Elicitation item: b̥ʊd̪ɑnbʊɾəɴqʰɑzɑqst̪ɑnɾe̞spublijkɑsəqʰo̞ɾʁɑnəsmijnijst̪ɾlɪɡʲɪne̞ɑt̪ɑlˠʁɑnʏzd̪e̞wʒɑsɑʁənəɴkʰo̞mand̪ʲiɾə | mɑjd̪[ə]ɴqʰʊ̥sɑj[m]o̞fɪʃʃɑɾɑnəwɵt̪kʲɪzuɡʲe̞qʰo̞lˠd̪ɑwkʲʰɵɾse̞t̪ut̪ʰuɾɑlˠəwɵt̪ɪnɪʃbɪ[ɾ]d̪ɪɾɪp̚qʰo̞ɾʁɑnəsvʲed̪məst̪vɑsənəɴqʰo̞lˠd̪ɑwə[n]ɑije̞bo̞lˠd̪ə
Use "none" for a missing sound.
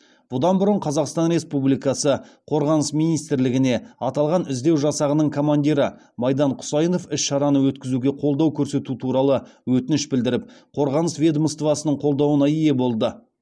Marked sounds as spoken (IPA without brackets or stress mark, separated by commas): ɑ, n, l, n